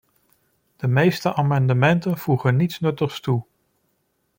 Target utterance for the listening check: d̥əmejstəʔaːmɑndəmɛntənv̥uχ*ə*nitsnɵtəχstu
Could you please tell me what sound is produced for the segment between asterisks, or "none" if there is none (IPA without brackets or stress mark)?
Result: ə